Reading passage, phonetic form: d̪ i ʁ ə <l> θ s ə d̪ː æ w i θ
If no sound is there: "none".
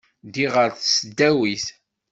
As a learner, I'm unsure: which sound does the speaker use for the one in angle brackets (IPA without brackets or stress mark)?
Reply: ɾ